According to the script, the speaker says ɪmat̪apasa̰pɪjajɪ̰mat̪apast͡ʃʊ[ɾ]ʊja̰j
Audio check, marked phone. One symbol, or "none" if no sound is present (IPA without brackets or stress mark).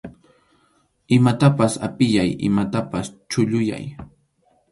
ʎ